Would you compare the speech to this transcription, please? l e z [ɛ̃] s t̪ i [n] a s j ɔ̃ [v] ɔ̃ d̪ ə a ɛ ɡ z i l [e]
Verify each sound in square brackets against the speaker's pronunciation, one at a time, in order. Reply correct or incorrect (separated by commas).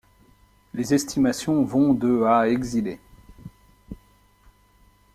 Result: incorrect, incorrect, correct, correct